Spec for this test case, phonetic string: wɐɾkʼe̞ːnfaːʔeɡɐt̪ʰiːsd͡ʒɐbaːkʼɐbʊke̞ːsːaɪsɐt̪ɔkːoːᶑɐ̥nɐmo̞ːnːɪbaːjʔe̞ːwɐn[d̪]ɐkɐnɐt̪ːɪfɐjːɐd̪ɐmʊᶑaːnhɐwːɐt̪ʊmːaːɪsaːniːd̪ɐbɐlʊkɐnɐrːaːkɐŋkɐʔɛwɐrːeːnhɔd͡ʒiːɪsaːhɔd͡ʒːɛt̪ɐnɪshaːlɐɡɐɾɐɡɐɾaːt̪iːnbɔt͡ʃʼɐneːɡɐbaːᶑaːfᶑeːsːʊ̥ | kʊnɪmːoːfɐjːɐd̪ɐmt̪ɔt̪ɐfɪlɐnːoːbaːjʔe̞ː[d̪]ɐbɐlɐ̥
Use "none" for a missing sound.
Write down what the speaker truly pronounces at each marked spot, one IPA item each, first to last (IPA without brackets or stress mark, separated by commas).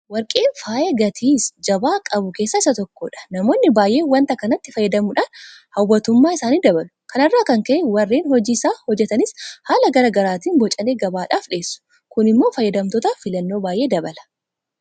t̪, d̪